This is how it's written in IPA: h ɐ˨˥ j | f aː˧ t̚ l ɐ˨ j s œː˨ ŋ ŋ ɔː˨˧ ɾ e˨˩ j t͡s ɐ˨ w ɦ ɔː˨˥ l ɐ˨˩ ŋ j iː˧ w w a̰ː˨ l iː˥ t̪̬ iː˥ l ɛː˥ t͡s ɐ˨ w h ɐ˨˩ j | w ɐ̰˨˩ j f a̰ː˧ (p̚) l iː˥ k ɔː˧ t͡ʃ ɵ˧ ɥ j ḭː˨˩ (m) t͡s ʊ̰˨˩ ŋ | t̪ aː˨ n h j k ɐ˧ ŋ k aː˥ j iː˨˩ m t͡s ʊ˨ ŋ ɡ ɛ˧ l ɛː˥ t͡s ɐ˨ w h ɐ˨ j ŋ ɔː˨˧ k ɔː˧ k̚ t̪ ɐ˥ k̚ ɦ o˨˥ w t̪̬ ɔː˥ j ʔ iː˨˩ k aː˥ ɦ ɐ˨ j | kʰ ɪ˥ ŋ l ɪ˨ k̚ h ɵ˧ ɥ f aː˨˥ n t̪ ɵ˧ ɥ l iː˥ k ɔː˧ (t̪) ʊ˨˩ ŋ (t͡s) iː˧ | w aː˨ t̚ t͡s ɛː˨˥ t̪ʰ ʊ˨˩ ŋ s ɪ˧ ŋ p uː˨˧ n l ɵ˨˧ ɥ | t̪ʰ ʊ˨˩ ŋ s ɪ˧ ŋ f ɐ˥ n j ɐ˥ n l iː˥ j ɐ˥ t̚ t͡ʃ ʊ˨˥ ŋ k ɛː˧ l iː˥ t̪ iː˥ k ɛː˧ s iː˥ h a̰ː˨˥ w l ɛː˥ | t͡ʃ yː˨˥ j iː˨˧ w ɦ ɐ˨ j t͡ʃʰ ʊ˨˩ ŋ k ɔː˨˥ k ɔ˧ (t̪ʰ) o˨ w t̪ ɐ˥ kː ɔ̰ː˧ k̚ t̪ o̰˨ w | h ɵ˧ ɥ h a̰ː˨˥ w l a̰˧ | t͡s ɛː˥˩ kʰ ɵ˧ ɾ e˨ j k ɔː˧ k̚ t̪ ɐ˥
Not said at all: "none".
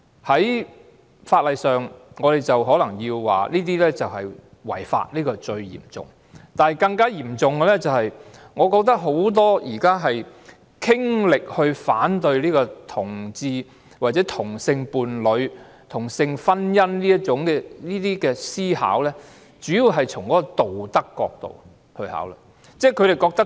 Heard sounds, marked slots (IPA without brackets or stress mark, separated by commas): t̚, m, t̪ʰ, t͡s, t̪